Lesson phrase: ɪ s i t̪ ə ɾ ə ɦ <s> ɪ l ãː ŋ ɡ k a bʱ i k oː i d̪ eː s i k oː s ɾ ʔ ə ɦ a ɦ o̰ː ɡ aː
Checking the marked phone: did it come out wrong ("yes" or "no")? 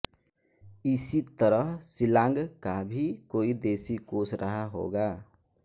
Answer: no